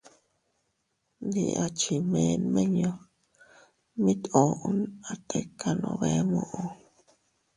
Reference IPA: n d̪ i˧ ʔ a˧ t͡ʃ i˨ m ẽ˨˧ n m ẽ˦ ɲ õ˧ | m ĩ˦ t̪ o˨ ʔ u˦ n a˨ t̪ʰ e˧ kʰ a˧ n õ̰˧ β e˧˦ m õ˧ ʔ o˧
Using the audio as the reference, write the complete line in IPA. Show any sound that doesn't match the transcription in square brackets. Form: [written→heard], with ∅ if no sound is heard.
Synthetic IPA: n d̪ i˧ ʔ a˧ t͡ʃ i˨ m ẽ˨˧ n m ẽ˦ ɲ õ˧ | m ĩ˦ t̪ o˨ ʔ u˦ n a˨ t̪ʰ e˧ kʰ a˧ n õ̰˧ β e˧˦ m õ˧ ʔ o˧